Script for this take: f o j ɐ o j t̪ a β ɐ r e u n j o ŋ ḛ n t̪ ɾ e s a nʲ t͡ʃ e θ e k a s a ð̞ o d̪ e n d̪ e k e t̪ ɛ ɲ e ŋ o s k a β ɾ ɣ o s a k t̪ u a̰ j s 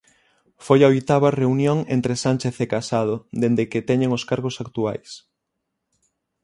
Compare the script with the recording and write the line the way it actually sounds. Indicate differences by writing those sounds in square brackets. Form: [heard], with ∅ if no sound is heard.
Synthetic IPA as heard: f o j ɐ o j t̪ a β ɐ r e u n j o ŋ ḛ n t̪ ɾ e s a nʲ t͡ʃ e θ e k a s a ð̞ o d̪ e n d̪ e k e t̪ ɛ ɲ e ŋ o s k a [∅] ɾ ɣ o s a k t̪ u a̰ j s

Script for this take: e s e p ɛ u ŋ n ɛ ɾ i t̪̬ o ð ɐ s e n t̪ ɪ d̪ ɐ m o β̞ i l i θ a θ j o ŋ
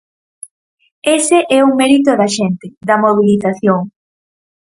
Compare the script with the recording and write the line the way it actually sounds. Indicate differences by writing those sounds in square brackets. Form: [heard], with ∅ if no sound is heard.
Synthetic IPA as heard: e s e [ʔ] ɛ u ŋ [m] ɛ ɾ i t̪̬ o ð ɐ [ʃ] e n t̪ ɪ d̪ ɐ m o β̞ i l i θ a θ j o ŋ

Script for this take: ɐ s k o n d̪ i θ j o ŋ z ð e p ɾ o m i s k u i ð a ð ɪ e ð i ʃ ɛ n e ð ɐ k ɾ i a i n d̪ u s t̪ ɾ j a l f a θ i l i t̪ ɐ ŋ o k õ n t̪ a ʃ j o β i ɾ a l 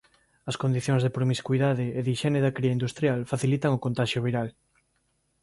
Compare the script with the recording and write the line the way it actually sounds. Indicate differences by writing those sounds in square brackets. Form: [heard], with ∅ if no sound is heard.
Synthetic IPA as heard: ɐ s k o n d̪ i θ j o ŋ z ð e p ɾ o m i s k u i ð a ð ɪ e ð i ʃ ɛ n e ð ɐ k ɾ i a i n d̪ u s t̪ ɾ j a l f a θ i l i t̪ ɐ ŋ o k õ n t̪ a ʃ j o β i ɾ a l

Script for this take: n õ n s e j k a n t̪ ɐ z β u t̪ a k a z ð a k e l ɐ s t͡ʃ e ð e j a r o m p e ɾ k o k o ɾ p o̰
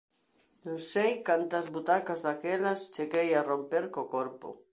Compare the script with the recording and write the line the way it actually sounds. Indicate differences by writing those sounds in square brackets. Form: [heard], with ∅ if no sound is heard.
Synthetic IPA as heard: n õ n s e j k a n t̪ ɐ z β u t̪ a k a z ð a k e l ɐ s t͡ʃ e [ɣ] e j a r o m p e ɾ k o k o ɾ p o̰

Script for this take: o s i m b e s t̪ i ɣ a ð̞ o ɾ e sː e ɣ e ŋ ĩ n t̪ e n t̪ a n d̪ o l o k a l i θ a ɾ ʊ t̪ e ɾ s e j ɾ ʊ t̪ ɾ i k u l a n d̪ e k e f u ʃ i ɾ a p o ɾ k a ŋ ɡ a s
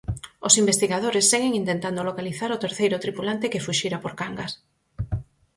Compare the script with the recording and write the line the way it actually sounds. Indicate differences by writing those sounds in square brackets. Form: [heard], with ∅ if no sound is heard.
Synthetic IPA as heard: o s i m b e s t̪ i ɣ a ð̞ o ɾ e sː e ɣ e ŋ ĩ n t̪ e n t̪ a n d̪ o l o k a l i θ a ɾ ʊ t̪ e ɾ [θ] e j ɾ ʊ t̪ ɾ i [p] u l a n [t̪] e k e f u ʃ i ɾ a p o ɾ k a ŋ ɡ a s

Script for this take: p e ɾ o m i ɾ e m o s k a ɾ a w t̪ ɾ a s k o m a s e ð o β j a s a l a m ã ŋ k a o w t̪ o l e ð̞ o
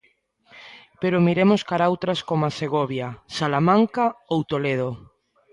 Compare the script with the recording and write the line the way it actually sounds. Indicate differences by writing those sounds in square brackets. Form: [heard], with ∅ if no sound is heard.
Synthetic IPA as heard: p e ɾ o m i ɾ e m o s k a ɾ a w t̪ ɾ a s k o m a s e [ɣ] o β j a s a l a m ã ŋ k a o w t̪ o l e ð̞ o

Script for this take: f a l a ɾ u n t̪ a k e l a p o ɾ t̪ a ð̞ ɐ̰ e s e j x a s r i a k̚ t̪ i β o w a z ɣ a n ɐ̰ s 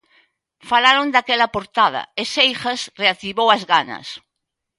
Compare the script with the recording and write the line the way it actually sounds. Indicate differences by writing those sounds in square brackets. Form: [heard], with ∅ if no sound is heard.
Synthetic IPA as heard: f a l a ɾ [o] n [d̪] a k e l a p o ɾ t̪ a ð̞ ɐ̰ e s e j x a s r [e] a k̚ t̪ i β o w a z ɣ a n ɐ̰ s

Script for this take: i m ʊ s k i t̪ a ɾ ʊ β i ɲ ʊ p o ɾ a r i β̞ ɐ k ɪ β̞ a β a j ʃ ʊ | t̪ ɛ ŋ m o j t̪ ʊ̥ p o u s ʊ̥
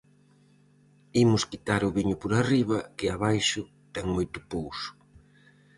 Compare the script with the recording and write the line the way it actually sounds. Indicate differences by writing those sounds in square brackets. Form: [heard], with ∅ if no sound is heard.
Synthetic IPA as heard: i m ʊ s k i t̪ a ɾ ʊ β i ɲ ʊ p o ɾ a r i β̞ ɐ k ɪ [∅] a β a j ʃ ʊ | t̪ ɛ ŋ m o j t̪ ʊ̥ p o [w] s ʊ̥

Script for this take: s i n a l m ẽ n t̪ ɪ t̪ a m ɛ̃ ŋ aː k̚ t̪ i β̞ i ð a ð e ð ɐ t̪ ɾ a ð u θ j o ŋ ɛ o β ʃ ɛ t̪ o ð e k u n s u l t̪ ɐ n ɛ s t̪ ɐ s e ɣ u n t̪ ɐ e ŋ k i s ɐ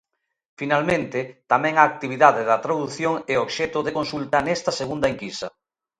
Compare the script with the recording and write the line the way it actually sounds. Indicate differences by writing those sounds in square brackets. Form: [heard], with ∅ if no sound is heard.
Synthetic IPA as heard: [f] i n a l m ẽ n t̪ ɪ t̪ a m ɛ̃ ŋ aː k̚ t̪ i β̞ i ð a ð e ð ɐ t̪ ɾ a ð u θ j o ŋ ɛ o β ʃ ɛ t̪ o ð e k [o] n s u l t̪ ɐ n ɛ s t̪ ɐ s e ɣ u n [d̪] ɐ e ŋ k i s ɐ

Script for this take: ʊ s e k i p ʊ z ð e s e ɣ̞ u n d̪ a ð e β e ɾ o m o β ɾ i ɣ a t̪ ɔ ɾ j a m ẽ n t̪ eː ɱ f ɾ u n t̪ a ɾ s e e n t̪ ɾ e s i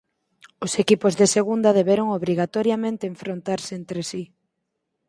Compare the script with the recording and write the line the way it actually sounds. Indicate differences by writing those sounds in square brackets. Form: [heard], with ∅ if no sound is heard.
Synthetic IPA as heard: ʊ s e k i p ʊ z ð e s e ɣ̞ u n d̪ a ð e β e ɾ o [ŋ] o β ɾ i ɣ a t̪ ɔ ɾ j a m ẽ n t̪ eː ɱ f ɾ [o] n t̪ a ɾ s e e n t̪ ɾ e s i

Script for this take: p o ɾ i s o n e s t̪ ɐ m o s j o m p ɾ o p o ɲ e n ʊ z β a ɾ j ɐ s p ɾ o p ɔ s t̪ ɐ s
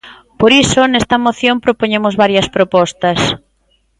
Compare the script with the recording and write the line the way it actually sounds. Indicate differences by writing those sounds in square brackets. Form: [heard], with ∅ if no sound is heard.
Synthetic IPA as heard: p o ɾ i s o n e s t̪ ɐ m o [θ] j o m p ɾ o p o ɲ e [m] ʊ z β a ɾ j ɐ s p ɾ o p ɔ s t̪ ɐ s

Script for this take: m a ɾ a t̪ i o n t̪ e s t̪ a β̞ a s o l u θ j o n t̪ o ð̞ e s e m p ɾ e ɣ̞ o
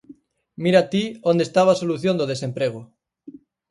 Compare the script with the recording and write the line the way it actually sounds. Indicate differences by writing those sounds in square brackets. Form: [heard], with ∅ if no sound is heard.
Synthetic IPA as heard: m [i] ɾ a t̪ i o n [d̪] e s t̪ a β̞ a s o l u θ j o n [d̪] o ð̞ e s e m p ɾ e ɣ̞ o

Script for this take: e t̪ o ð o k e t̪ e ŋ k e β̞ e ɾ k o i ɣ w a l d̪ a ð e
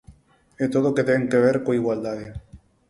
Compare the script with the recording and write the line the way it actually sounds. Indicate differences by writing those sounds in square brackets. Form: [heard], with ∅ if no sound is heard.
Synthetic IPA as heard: e t̪ o ð o k e t̪ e ŋ k e β̞ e ɾ k o i ɣ w a l d̪ a ð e

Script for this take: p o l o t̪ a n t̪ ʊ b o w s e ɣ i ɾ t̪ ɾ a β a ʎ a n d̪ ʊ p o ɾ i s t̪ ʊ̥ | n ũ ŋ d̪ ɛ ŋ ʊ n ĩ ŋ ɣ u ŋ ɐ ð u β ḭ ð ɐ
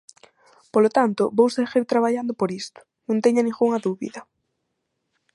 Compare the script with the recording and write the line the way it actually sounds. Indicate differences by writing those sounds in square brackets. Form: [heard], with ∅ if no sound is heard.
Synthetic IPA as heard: p o l o t̪ a n t̪ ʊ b o w s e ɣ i ɾ t̪ ɾ a β a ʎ a n d̪ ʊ p o ɾ i s t̪ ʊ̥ | n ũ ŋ [t̪] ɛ [ɲ] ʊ n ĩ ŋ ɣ u ŋ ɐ ð u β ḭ ð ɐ

